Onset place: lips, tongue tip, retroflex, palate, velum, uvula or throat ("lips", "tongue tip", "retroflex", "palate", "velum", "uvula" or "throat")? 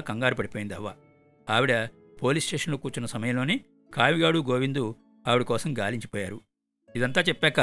velum